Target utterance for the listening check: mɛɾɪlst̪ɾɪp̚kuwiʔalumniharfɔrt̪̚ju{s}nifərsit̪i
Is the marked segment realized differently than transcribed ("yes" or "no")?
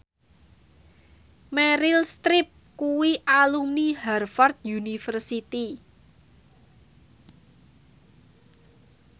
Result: yes